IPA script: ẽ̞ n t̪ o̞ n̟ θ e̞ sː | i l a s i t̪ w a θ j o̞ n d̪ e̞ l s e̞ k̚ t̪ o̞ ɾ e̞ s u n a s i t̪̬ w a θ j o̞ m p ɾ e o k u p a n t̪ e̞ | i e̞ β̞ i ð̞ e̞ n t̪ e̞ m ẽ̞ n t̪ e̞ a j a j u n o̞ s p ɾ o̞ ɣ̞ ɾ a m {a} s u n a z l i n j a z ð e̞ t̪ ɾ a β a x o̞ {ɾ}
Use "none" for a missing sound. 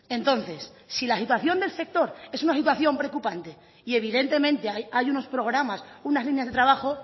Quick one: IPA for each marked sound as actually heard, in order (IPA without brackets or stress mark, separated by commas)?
a, none